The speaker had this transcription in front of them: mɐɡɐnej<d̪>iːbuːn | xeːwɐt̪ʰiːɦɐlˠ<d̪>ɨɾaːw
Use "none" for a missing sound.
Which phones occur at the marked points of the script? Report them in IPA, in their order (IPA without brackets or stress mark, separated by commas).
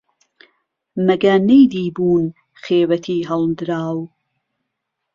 d̪, d̪